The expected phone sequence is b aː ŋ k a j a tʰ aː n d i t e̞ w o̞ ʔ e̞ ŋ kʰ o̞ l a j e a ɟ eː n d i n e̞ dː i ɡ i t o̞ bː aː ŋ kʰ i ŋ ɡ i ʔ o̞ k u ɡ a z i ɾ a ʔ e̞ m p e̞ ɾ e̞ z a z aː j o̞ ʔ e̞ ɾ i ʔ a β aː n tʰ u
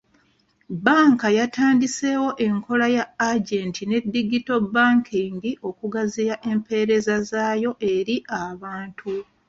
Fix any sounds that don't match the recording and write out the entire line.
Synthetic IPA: b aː ŋ k a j a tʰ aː n d i s e̞ w o̞ ʔ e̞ ŋ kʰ o̞ l a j a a ɟ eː n t i n e̞ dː i ɡ i t o̞ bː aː ŋ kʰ i ŋ ɡ i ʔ o̞ k u ɡ a z i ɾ a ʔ e̞ m p e̞ ɾ e̞ z a z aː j o̞ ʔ e̞ ɾ i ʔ a β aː n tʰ u